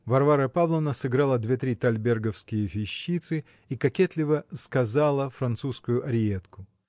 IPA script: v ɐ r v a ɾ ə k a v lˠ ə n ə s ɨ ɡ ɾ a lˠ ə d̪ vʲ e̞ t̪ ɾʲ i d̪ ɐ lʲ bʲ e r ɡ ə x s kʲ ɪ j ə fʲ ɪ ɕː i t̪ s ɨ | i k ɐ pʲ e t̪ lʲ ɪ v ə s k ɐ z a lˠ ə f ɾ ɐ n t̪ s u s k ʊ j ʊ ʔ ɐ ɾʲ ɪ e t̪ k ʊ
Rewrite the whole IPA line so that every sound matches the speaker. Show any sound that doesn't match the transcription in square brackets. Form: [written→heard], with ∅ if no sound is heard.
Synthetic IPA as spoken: v ɐ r v a ɾ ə [k→p] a v lˠ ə n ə s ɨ ɡ ɾ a lˠ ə d̪ vʲ e̞ t̪ ɾʲ i [d̪→t̪] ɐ lʲ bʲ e r ɡ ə [x→f] s kʲ ɪ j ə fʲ ɪ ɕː i t̪ s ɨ | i k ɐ [pʲ→kʲ] e t̪ lʲ ɪ v ə s k ɐ z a lˠ ə f ɾ ɐ n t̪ s u s k ʊ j ʊ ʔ ɐ ɾʲ ɪ e t̪ k ʊ